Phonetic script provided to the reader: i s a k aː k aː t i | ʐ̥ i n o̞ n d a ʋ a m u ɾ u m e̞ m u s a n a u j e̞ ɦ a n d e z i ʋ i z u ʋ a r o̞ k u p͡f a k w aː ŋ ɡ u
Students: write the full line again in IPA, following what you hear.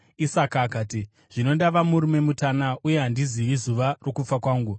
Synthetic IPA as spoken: i s a k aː k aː t i | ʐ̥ i n o̞ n d a ʋ a m u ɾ u m e̞ m u t a n a u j e̞ ɦ a n d i z i ʋ i z u ʋ a r o̞ k u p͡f a k w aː ŋ ɡ u